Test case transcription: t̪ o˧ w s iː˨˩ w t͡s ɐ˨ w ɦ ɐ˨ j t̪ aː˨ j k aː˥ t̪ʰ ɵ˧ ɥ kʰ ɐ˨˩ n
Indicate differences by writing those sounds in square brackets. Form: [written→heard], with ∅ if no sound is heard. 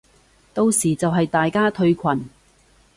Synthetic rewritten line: t̪ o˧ w s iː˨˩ [w→∅] t͡s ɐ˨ w ɦ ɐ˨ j t̪ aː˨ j k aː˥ t̪ʰ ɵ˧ ɥ kʰ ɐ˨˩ n